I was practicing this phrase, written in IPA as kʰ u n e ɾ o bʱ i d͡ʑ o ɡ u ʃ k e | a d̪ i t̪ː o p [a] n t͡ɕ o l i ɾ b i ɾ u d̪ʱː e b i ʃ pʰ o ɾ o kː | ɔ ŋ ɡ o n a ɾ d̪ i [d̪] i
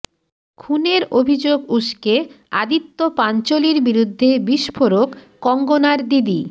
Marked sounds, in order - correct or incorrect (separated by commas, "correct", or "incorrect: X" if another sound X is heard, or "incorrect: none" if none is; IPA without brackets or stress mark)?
correct, correct